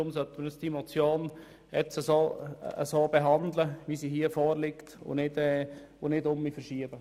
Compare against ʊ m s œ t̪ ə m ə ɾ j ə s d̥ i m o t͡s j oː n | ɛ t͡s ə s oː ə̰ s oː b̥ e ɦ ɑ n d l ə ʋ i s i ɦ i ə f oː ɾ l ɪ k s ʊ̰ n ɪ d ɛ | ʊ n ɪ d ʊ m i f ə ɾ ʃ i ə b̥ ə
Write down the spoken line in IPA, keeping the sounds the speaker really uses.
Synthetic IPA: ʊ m s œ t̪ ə m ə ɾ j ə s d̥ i m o t͡s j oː n | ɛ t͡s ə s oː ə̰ s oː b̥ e ɦ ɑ n d l ə ʋ i s i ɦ i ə f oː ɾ l ɪ k t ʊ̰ n ɪ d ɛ | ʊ n ɪ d ʊ m i f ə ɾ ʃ i ə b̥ ə